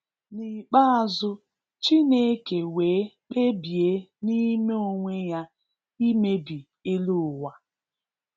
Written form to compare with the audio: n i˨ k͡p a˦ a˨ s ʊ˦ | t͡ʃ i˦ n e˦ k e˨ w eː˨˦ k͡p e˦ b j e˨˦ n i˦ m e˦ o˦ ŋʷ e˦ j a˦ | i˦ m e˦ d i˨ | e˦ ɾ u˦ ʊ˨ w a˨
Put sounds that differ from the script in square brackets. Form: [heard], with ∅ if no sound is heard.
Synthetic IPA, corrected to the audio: n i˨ k͡p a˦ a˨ [z] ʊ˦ | t͡ʃ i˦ n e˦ k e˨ w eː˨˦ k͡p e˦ b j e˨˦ n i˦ m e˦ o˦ ŋʷ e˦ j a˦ | i˦ m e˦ [b] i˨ | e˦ [l] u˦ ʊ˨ w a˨